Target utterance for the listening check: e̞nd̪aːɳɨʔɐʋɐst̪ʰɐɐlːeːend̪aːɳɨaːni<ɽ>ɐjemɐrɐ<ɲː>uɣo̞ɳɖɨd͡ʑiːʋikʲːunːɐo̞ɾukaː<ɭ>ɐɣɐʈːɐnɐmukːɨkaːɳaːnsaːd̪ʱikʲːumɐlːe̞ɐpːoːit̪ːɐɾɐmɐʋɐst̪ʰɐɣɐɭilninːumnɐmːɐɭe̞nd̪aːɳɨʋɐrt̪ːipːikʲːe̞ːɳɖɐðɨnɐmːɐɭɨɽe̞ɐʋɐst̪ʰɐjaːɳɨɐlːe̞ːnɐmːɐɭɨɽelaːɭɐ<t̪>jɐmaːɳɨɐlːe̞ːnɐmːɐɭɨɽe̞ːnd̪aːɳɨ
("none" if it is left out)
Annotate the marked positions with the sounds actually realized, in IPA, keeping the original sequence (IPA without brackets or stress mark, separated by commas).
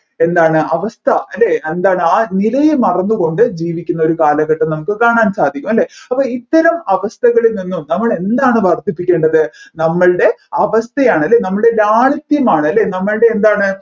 l, nː, l, t̪